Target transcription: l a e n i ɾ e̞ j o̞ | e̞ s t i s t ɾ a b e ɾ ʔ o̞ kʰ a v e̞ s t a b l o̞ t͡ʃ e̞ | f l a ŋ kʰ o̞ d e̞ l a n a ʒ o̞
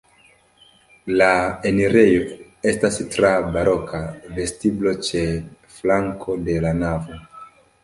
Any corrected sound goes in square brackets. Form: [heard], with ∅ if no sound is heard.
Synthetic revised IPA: l a e n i ɾ e̞ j o̞ | e̞ s t [a] s t ɾ a b [a] ɾ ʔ o̞ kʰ a v e̞ s t [i] b l o̞ t͡ʃ e̞ | f l a ŋ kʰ o̞ d e̞ l a n a [v] o̞

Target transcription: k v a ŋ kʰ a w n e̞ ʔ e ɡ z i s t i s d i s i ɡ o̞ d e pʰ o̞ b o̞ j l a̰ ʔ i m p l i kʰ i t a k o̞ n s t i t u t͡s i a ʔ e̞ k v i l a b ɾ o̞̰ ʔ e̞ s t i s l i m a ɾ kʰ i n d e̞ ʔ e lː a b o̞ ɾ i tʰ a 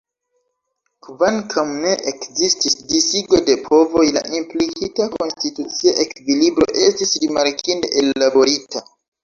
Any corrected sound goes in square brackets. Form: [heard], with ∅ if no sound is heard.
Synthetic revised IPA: k v a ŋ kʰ a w n e̞ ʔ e [k] z i s t i s d i s i ɡ o̞ d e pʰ o̞ [v] o̞ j l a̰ ʔ i m p l i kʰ i t a k o̞ n s t i t u t͡s i a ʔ e̞ k v i l [i] b ɾ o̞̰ ʔ e̞ s t i s [ɾ] i m a ɾ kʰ i n d e̞ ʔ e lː a b o̞ ɾ i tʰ a

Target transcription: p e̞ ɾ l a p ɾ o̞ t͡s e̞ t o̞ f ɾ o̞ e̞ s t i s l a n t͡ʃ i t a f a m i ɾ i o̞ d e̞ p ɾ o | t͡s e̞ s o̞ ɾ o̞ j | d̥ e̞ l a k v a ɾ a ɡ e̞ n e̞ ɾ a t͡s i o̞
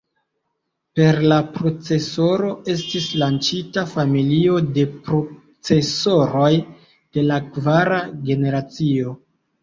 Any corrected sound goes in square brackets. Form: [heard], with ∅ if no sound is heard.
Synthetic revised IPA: p e̞ ɾ l a p ɾ o̞ t͡s e̞ [s] o̞ [∅] ɾ o̞ e̞ s t i s l a n t͡ʃ i t a f a m i [l] i o̞ d e̞ p ɾ o | t͡s e̞ s o̞ ɾ o̞ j | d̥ e̞ l a k v a ɾ a ɡ e̞ n e̞ ɾ a t͡s i o̞

